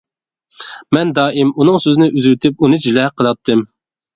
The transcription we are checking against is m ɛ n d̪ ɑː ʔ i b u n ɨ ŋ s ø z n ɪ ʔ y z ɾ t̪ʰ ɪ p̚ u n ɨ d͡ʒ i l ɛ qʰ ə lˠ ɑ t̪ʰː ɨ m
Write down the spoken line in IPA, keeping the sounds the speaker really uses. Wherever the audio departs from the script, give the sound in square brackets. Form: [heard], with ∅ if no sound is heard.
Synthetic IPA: m ɛ n d̪ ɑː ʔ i [m] u n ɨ ŋ s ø z n ɪ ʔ y z ɾ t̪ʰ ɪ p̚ u n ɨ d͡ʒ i l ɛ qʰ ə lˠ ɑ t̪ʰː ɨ m